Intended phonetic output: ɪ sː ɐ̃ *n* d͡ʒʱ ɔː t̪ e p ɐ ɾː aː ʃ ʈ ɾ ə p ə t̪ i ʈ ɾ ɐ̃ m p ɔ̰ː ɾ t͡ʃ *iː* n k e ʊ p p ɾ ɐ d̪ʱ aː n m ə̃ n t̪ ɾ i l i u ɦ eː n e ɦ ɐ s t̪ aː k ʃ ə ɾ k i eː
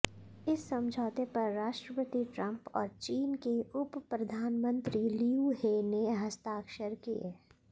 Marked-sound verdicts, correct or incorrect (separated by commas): incorrect, correct